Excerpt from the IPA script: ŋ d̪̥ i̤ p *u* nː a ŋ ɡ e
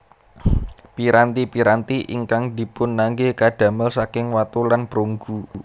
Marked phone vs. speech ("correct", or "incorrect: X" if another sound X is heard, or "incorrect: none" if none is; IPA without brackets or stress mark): incorrect: ʊ